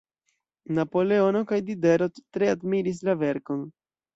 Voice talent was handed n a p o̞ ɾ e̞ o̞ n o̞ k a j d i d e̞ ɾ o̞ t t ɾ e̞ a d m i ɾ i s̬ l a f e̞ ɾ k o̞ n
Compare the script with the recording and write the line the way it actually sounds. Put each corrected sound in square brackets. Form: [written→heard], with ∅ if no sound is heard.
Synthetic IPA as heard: n a p o̞ [ɾ→l] e̞ o̞ n o̞ k a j d i d e̞ ɾ o̞ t t ɾ e̞ a d m i ɾ i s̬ l a [f→v] e̞ ɾ k o̞ n